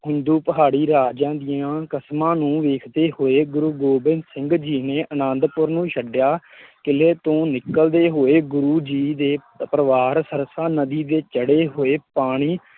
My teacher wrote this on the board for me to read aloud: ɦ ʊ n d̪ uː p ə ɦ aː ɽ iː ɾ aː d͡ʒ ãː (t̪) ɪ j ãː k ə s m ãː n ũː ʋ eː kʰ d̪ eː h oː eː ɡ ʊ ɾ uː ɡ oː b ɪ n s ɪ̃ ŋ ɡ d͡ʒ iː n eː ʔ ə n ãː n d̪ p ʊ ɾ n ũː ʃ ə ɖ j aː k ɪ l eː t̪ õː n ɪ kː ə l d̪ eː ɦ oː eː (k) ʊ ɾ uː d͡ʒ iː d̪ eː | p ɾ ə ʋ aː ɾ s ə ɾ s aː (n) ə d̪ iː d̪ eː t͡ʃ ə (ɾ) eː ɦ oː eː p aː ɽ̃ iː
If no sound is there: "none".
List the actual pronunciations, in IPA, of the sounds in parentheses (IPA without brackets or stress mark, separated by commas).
d̪, ɡ, n, ɽ